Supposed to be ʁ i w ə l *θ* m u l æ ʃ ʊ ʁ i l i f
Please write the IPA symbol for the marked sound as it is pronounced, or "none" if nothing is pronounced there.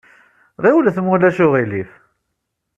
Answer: θ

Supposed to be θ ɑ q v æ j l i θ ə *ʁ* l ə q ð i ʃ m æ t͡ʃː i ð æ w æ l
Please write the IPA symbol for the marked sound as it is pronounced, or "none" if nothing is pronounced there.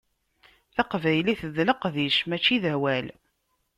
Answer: ð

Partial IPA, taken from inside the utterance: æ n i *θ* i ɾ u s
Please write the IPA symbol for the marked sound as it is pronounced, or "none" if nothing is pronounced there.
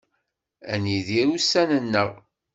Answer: ð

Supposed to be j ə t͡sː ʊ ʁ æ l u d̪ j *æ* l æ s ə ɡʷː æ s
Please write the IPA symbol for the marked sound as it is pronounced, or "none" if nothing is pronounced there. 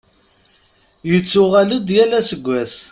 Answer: æ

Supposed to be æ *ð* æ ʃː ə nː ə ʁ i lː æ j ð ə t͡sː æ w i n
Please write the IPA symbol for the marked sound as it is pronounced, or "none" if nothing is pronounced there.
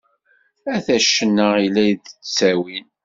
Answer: θ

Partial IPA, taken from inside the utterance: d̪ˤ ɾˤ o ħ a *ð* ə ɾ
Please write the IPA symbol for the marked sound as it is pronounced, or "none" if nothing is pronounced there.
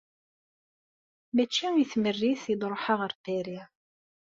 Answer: ʁ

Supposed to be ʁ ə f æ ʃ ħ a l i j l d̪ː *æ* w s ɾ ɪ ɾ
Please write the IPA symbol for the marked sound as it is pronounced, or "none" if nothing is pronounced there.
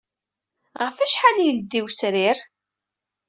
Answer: i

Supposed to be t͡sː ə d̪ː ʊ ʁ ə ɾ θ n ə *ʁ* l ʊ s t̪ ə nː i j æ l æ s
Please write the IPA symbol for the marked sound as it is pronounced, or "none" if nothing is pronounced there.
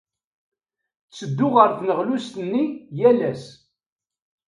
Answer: ʁ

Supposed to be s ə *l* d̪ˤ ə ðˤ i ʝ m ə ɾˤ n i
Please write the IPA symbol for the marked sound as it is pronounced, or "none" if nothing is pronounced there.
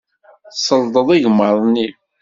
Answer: l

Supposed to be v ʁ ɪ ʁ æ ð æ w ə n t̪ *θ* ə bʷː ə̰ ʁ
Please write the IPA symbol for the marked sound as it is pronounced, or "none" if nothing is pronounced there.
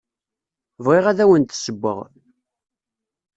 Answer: s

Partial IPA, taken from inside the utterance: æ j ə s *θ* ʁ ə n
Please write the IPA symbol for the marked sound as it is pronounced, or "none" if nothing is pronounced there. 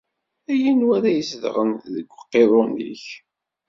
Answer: ð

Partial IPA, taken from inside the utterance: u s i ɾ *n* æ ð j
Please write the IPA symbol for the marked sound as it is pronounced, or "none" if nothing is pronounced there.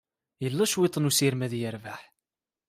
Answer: m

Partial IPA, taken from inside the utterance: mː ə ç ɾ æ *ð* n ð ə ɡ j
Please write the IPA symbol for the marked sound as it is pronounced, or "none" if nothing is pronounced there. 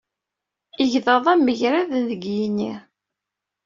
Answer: ð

